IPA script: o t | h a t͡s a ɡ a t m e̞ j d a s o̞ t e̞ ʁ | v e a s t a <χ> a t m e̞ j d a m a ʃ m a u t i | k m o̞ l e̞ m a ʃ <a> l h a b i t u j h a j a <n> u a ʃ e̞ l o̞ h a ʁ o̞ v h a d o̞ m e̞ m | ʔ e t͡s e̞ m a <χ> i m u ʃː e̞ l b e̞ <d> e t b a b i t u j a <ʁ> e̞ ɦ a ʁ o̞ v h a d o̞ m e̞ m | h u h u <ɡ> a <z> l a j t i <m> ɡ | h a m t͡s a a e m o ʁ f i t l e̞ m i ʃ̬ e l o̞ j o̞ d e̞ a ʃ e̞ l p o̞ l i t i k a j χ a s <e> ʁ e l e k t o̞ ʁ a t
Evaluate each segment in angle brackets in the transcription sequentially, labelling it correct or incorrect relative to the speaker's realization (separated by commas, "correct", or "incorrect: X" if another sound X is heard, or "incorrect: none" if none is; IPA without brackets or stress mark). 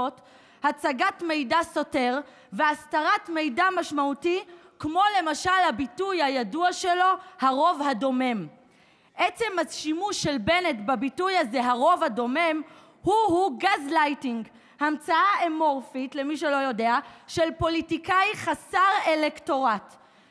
incorrect: ʁ, correct, incorrect: d, incorrect: ʃ, incorrect: n, incorrect: z, correct, correct, incorrect: ŋ, incorrect: a